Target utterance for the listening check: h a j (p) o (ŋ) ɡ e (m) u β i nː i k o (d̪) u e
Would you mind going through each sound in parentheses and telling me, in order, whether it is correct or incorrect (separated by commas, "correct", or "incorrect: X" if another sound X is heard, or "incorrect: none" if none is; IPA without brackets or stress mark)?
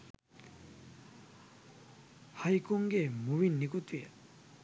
incorrect: k, correct, correct, incorrect: t̪